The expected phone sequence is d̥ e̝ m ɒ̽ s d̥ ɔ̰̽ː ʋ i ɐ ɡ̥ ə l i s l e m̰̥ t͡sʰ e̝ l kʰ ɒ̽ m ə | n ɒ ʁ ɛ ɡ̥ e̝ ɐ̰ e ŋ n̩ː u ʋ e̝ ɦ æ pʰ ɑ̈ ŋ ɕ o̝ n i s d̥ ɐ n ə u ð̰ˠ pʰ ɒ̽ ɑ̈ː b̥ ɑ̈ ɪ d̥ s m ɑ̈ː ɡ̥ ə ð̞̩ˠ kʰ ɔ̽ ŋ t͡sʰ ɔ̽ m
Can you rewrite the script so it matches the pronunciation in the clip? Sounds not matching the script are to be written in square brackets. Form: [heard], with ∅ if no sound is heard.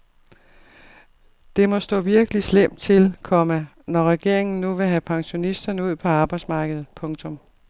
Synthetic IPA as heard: d̥ e̝ m ɒ̽ s d̥ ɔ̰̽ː ʋ i ɐ ɡ̥ ə l i s l e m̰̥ t͡sʰ e̝ l kʰ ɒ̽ m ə | n ɒ ʁ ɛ ɡ̥ e̝ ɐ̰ e ŋ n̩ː u ʋ e̝ ɦ æ pʰ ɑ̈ ŋ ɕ o̝ n i s d̥ ɐ n ə u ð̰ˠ pʰ ɒ̽ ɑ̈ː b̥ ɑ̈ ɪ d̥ s m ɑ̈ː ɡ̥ ə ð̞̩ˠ [pʰ] ɔ̽ ŋ t͡sʰ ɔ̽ m